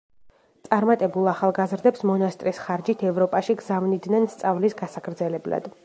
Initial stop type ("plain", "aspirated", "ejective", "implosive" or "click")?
plain